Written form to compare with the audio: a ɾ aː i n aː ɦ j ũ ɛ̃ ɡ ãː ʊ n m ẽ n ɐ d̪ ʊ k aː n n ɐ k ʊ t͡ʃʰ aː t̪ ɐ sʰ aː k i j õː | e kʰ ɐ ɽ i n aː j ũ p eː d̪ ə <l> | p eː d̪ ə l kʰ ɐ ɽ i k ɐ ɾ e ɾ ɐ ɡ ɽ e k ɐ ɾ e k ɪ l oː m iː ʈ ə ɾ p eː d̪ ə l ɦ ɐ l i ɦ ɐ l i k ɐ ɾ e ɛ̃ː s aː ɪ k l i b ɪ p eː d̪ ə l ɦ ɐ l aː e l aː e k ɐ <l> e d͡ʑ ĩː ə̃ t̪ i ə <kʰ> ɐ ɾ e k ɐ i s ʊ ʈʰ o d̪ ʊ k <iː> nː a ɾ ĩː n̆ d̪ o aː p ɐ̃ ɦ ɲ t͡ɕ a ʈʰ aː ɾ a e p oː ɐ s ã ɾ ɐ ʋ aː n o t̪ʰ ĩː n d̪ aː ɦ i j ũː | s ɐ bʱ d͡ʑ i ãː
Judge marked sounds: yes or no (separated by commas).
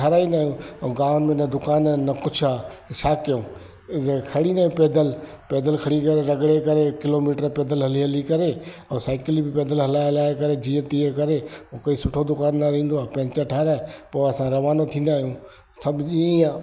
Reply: yes, no, no, no